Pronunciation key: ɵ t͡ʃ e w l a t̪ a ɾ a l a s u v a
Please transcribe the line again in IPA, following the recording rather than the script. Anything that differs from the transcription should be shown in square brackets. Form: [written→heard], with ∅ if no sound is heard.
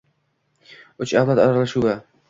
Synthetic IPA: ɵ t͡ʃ [e→a] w l a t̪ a ɾ a l a [s→ʃ] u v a